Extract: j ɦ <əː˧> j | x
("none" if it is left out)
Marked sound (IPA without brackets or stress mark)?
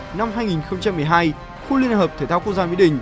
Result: aː˧